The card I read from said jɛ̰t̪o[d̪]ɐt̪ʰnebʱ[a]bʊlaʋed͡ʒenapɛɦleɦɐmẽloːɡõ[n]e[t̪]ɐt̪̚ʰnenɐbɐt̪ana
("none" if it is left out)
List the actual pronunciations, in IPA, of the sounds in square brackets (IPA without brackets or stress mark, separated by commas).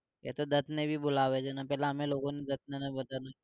d̪, i, n, d̪